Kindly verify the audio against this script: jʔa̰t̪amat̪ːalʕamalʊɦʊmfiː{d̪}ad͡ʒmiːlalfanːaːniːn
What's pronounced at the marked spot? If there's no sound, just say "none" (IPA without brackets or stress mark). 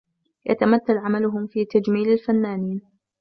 t̪